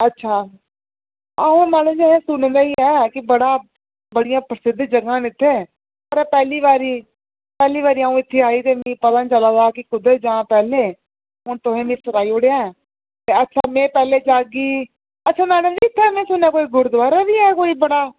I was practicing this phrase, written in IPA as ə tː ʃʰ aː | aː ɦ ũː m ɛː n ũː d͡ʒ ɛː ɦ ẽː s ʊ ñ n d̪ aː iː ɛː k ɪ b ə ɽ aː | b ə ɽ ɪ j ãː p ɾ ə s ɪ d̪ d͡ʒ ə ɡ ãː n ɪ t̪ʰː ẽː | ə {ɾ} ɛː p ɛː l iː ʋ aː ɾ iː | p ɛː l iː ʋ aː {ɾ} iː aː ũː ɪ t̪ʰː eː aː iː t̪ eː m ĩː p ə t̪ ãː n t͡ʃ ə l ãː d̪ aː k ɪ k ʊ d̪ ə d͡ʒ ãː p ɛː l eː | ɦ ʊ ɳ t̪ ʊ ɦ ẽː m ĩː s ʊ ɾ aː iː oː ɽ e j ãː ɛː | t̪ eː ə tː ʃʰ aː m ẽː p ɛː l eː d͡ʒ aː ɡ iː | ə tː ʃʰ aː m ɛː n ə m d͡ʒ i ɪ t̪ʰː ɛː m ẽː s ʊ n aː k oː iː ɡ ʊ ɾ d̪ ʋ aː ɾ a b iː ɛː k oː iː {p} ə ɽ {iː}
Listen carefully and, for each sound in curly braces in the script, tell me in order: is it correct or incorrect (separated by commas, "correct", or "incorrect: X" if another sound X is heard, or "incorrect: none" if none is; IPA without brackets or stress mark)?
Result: correct, correct, incorrect: b, incorrect: aː